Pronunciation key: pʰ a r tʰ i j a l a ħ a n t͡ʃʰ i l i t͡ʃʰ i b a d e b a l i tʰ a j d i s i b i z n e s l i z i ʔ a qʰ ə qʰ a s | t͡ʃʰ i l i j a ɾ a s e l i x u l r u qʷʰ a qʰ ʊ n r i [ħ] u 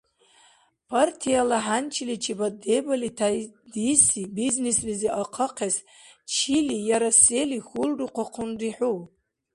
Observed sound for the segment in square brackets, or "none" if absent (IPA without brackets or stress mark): ħ